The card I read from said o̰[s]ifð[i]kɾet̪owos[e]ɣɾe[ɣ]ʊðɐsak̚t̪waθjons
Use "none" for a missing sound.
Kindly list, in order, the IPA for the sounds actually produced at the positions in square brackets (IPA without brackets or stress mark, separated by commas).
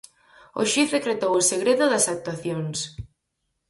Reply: ʃ, e, e, ð